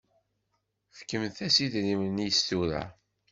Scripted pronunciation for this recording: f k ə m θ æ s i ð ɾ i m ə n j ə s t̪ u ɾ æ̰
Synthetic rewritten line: f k ə m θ æ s i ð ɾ i m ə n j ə s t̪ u ɾ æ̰